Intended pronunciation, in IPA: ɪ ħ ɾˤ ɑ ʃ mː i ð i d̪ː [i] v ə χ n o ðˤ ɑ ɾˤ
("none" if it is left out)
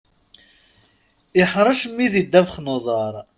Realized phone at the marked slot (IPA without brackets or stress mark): æ